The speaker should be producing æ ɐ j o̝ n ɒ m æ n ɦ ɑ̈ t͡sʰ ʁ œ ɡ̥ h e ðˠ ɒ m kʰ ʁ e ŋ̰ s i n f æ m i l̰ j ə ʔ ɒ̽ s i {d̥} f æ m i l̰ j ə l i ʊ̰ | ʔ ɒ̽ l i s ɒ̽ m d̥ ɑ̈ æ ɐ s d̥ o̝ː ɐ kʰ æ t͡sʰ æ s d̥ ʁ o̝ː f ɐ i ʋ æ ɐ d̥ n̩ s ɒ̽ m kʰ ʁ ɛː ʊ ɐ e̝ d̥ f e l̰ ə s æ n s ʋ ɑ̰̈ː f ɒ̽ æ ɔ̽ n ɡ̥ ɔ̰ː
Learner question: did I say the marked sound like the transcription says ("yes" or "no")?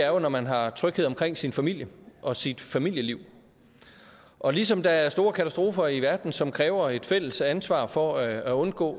yes